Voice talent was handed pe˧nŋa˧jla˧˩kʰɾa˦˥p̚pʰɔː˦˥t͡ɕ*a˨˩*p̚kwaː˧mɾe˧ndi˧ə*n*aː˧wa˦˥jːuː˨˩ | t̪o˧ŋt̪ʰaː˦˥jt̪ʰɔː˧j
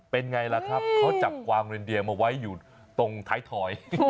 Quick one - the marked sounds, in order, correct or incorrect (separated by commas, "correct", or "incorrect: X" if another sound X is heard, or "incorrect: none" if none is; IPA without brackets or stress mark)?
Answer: correct, incorrect: m